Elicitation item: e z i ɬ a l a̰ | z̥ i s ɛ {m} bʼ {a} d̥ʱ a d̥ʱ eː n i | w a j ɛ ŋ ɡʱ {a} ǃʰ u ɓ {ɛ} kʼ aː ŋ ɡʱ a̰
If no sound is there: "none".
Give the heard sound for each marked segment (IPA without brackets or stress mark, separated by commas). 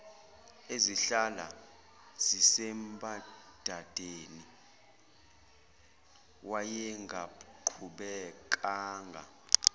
m, a, a, ɛ